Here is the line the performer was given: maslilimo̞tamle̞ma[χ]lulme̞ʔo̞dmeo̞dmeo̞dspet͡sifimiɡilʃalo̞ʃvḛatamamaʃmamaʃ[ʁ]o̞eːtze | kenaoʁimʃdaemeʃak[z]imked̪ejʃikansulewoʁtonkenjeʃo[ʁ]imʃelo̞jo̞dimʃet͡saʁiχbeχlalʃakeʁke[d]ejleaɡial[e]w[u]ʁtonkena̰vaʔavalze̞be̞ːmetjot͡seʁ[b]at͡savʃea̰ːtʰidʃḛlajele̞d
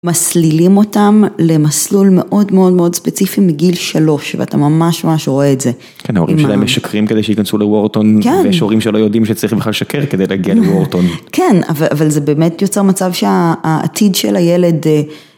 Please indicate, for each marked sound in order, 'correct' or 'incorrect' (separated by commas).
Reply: incorrect, correct, incorrect, correct, correct, correct, incorrect, incorrect